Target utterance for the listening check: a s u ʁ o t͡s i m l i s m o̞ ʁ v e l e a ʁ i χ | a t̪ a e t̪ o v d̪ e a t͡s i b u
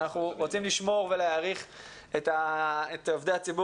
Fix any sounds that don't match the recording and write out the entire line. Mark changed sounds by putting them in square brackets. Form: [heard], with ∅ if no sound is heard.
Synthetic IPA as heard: a [χ] u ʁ o t͡s i m l i [ʃ] m o̞ ʁ v e l e a ʁ i χ | [e] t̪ a e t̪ o v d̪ e a t͡s i b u